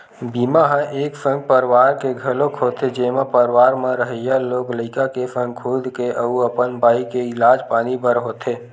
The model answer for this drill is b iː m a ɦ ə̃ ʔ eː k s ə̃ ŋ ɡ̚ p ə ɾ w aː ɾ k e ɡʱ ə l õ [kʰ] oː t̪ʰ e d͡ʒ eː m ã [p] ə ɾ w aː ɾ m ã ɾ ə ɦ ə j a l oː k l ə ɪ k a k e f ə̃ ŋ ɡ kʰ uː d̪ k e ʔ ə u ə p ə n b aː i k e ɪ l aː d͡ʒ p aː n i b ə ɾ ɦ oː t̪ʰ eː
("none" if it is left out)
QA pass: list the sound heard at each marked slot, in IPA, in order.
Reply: kʰ, p

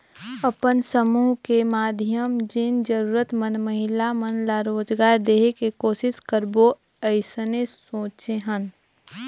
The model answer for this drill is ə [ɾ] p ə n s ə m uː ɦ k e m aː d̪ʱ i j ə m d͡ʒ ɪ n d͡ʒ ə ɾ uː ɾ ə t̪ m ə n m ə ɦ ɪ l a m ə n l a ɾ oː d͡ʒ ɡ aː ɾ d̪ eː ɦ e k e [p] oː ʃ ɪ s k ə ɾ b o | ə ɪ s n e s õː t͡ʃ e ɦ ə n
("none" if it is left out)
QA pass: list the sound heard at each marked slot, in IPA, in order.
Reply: none, k

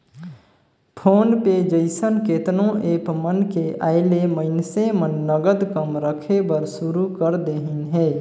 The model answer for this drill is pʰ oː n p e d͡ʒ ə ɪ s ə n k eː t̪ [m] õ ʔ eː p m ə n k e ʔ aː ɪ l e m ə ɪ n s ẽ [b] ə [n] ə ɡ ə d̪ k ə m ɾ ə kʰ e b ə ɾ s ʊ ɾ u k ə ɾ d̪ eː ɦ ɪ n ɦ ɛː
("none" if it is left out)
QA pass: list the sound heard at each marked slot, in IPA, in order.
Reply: n, m, nː

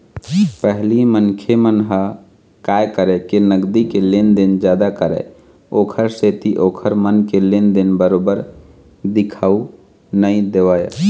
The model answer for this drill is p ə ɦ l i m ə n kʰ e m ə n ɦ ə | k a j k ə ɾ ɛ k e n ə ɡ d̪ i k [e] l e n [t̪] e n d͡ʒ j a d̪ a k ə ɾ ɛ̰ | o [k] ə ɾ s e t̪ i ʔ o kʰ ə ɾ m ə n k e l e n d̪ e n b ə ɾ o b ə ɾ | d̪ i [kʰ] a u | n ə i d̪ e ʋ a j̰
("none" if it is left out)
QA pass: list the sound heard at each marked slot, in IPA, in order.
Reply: e, d̪, kʰ, kʰ

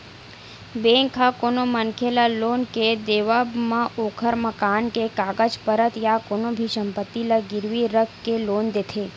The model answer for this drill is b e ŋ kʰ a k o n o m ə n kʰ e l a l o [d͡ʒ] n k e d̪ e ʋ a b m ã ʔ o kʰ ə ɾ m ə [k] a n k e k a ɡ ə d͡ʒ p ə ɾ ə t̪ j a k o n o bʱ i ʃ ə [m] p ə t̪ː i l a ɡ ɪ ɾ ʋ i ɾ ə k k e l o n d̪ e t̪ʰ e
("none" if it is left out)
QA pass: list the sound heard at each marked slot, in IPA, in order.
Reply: none, k, m

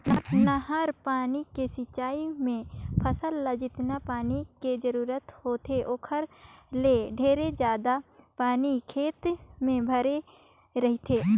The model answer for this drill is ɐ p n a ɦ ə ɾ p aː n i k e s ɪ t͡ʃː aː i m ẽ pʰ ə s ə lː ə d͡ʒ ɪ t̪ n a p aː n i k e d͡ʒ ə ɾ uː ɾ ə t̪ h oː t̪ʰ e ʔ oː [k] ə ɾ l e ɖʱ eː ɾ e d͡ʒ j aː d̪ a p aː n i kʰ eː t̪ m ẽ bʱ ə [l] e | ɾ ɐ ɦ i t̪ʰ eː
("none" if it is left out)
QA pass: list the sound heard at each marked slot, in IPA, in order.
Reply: kʰ, ɾ

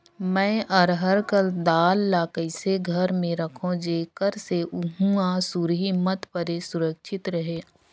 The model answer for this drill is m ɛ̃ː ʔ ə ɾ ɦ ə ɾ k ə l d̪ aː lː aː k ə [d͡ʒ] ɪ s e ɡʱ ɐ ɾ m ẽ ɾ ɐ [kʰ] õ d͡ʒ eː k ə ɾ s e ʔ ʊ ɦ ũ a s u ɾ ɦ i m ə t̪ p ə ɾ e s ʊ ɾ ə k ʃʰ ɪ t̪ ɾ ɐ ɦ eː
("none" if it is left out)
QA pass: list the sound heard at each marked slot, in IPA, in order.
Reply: none, kʰ

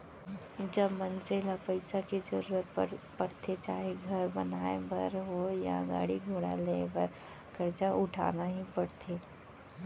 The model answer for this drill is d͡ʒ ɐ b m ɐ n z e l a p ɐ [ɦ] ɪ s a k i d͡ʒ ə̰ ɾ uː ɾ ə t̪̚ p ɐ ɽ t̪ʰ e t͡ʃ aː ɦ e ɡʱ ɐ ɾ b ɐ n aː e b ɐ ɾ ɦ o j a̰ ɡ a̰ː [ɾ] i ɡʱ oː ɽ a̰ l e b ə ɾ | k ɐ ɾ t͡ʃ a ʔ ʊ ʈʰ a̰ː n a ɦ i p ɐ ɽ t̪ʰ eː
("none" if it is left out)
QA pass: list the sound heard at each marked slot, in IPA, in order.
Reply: none, ɽ

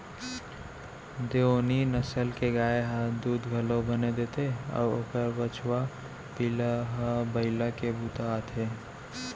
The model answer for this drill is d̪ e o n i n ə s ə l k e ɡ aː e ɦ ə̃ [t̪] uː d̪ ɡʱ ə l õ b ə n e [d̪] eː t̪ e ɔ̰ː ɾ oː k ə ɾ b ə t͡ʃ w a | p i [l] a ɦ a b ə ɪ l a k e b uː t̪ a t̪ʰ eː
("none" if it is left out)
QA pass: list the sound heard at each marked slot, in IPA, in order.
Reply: d̪, d̪, l

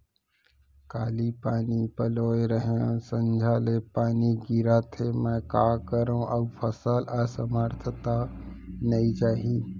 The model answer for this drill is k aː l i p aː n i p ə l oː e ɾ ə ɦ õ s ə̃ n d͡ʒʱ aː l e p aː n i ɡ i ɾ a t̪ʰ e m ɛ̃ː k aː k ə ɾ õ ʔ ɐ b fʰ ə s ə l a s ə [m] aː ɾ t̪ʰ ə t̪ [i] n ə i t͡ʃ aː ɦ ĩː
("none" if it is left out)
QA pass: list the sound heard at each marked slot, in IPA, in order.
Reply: m, a

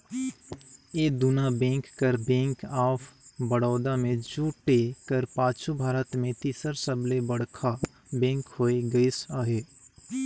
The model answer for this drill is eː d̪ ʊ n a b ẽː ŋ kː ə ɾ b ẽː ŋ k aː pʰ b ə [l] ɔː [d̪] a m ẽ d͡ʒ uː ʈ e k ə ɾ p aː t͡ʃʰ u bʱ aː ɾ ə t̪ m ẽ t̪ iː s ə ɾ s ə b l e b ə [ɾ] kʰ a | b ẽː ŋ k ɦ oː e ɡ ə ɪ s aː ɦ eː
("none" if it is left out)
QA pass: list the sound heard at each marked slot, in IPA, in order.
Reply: ɽ, d̪, ɽ

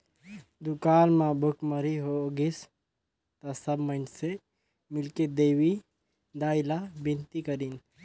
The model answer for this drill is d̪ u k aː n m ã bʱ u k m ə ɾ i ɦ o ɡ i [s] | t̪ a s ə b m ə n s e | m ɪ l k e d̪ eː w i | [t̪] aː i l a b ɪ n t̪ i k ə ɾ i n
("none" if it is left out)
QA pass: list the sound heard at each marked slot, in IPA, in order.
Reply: s, d̪

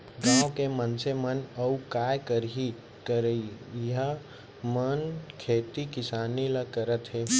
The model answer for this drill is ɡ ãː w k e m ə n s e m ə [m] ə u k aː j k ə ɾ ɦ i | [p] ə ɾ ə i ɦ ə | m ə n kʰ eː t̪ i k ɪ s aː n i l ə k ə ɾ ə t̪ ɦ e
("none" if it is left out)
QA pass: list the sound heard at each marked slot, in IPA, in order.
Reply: n, k

